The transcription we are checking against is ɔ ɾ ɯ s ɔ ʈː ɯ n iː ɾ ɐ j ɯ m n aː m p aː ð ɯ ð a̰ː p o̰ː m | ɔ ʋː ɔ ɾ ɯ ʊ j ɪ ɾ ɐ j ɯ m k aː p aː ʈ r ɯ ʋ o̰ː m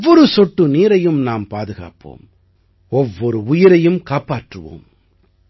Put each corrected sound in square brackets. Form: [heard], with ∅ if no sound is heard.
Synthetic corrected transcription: ɔ ɾ ɯ s ɔ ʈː ɯ n iː ɾ ɐ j ɯ m n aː m p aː ð ɯ [ɣ] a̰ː p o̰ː m | ɔ ʋː ɔ ɾ ɯ ʊ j ɪ ɾ ɐ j ɯ m k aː p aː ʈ r ɯ ʋ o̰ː m

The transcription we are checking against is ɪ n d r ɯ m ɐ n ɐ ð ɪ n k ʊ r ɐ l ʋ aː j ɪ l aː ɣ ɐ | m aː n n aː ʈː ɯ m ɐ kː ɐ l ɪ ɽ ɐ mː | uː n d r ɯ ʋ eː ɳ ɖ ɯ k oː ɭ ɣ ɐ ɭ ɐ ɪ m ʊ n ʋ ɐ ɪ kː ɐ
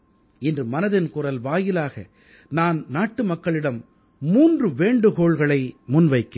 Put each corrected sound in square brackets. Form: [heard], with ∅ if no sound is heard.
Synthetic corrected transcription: ɪ n d r ɯ m ɐ n ɐ ð ɪ n k ʊ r ɐ l ʋ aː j ɪ l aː ɣ ɐ | [n] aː n n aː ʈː ɯ m ɐ kː ɐ [ɭ] ɪ ɽ ɐ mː | uː n d r ɯ ʋ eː ɳ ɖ ɯ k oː ɭ ɣ ɐ ɭ ɐ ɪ m ʊ n ʋ ɐ ɪ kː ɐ

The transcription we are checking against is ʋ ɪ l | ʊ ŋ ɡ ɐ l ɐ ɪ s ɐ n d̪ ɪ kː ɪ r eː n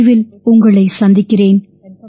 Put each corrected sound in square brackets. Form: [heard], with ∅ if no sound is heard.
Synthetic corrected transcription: ʋ ɪ l | ʊ ŋ ɡ ɐ [ɭ] ɐ ɪ s ɐ n d̪ ɪ kː ɪ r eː n

